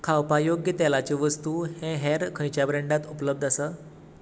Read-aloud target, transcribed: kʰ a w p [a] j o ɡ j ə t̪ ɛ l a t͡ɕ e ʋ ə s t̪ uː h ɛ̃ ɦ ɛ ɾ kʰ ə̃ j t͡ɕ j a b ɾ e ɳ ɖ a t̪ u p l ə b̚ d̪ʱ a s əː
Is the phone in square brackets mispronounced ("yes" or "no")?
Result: no